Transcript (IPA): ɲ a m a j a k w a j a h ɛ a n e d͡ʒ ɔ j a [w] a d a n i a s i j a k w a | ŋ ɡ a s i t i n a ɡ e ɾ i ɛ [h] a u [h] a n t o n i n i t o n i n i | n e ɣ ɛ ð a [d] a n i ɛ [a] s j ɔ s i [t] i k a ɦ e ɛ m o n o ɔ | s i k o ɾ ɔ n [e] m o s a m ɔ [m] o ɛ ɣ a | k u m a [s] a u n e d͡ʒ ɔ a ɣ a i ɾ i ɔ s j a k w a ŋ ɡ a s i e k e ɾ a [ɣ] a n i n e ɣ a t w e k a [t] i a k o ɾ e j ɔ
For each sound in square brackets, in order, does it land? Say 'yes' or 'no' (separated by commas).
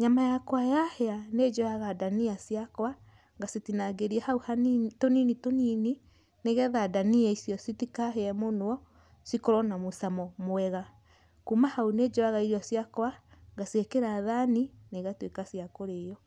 no, yes, yes, yes, no, yes, no, yes, no, no, no